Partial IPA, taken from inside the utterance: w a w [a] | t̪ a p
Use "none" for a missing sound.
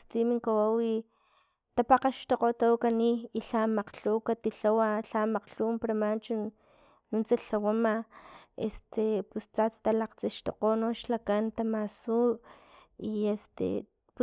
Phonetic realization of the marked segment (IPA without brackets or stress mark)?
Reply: i